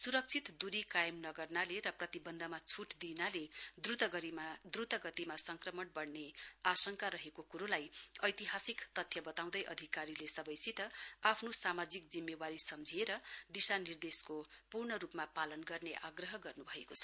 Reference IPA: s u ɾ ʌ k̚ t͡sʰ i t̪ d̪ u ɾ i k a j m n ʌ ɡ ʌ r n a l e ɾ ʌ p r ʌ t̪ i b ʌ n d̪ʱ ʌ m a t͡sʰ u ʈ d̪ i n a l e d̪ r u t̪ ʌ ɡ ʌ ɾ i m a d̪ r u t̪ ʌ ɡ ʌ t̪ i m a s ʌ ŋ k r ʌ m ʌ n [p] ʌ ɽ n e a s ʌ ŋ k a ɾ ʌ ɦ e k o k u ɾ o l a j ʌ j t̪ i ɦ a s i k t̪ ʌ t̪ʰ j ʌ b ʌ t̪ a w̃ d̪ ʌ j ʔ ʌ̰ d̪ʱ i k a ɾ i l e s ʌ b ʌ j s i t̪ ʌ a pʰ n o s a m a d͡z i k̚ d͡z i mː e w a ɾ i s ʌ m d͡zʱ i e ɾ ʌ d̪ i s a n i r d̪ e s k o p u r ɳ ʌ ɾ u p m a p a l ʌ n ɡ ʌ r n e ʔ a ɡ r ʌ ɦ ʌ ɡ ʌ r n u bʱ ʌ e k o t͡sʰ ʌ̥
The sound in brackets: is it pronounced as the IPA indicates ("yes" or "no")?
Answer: no